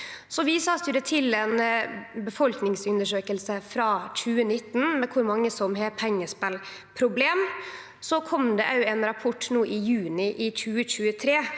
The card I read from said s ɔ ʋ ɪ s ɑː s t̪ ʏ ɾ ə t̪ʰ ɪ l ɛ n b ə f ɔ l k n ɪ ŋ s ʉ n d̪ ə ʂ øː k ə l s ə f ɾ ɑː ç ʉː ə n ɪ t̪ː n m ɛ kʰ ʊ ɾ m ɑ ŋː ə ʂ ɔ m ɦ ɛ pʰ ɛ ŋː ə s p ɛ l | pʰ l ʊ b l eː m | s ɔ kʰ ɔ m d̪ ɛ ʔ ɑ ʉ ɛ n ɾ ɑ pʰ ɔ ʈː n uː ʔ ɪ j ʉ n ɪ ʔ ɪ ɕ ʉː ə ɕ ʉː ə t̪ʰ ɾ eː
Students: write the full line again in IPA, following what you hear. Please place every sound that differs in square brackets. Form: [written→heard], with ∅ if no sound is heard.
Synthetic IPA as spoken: s ɔ ʋ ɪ s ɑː s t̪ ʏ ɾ ə t̪ʰ ɪ l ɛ n b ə f ɔ l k n ɪ ŋ s ʉ n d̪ ə ʂ øː k ə l s ə f ɾ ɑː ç ʉː ə n ɪ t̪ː n m ɛ kʰ ʊ ɾ m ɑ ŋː ə [ʂ→s] ɔ m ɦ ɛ pʰ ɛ ŋː ə s p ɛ l | pʰ [l→ɾ] ʊ b l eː m | s ɔ kʰ ɔ m d̪ ɛ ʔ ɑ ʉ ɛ n ɾ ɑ pʰ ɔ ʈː n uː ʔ ɪ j [ʉ→ʉː] n ɪ ʔ ɪ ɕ ʉː ə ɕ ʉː ə t̪ʰ ɾ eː